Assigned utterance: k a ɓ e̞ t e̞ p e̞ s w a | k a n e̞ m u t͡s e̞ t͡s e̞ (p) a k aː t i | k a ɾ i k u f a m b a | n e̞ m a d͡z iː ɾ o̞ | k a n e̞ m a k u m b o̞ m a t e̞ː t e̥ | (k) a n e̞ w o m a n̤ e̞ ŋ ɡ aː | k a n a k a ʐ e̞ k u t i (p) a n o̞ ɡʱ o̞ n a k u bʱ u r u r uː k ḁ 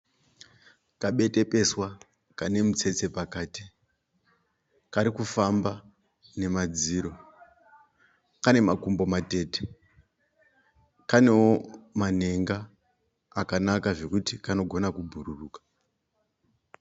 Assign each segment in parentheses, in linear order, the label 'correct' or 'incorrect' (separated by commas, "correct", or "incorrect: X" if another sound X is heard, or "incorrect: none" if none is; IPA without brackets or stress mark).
correct, correct, incorrect: k